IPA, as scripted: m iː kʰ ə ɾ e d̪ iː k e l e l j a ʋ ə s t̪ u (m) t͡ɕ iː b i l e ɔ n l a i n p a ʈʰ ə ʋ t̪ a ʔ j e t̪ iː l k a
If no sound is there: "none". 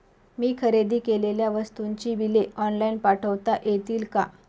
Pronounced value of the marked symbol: ɲ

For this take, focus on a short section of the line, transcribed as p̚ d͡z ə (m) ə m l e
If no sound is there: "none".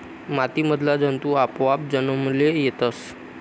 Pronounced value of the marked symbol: n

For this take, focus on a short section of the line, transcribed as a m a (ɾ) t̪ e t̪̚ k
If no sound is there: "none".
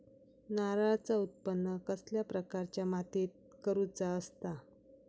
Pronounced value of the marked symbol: none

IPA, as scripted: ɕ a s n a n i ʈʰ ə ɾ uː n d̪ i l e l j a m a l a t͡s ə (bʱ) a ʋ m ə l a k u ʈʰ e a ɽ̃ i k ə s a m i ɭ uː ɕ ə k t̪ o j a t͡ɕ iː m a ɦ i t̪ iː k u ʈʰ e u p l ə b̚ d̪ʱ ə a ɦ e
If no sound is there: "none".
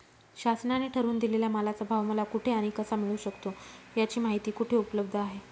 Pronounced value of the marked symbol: bʱ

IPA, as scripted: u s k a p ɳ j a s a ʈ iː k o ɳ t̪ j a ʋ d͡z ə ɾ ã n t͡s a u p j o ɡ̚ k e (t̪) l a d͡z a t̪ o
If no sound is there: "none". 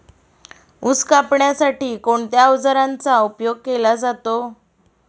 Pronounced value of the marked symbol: none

